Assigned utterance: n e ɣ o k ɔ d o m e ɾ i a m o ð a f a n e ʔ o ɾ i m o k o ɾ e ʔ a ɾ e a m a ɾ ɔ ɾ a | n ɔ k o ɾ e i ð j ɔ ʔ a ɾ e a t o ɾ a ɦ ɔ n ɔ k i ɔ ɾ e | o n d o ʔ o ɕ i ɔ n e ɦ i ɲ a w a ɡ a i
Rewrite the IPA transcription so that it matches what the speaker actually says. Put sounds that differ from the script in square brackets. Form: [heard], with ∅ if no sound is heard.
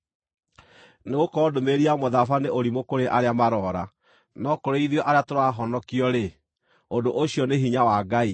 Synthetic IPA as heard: n e ɣ o k ɔ d o m e ɾ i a m o ð a f a n e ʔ o ɾ i m o k o ɾ e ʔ a ɾ e a m a ɾ ɔ ɾ a | n ɔ k o ɾ e i ð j ɔ ʔ a ɾ e a t o ɾ a ɦ ɔ n ɔ k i ɔ ɾ e | o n d o ʔ o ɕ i ɔ n e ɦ i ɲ a w a ɡ a i